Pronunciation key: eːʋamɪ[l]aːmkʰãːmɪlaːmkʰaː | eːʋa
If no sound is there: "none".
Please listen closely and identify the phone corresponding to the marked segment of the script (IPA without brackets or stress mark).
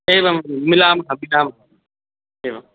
l